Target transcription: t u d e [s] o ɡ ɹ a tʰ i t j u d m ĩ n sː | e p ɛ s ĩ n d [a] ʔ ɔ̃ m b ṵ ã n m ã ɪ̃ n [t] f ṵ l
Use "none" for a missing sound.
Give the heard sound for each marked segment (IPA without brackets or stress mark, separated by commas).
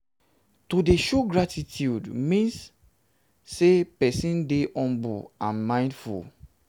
ʃ, e, d